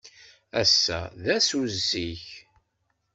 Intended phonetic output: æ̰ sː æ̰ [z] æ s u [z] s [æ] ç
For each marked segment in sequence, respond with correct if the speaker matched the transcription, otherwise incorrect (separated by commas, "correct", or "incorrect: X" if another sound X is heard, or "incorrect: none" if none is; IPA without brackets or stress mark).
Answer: incorrect: ð, correct, incorrect: i